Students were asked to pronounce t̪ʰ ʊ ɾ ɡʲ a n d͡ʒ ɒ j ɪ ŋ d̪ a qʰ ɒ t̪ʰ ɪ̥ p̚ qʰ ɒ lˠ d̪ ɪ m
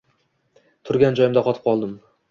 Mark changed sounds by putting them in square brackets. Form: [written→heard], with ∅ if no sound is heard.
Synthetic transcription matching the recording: t̪ʰ ʊ ɾ ɡʲ a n d͡ʒ ɒ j ɪ [ŋ→m] d̪ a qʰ ɒ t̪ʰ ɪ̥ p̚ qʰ ɒ lˠ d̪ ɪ m